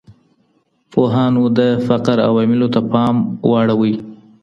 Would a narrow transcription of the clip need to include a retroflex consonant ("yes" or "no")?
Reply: yes